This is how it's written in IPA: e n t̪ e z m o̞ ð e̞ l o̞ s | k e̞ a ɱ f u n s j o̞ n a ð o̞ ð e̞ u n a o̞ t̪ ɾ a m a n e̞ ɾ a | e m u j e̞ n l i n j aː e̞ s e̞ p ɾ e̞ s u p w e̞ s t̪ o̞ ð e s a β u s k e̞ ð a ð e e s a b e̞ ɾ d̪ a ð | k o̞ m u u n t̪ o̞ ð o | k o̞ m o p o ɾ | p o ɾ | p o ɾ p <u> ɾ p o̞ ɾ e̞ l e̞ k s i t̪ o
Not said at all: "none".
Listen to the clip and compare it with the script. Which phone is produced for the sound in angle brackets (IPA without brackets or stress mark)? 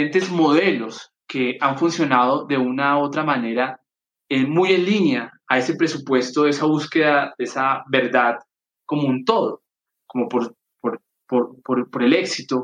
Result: o